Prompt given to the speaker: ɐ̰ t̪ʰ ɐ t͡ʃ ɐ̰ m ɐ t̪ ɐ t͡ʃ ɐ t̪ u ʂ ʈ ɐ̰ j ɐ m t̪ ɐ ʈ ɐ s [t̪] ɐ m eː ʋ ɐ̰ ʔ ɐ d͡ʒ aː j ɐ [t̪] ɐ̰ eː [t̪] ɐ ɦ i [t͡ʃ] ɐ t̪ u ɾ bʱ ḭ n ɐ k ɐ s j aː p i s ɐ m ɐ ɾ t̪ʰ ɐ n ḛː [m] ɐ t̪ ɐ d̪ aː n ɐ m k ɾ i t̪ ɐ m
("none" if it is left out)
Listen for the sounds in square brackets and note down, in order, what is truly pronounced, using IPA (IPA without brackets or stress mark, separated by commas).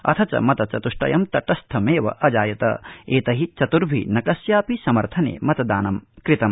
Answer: t̪ʰ, t̪, t̪, t͡ʃ, m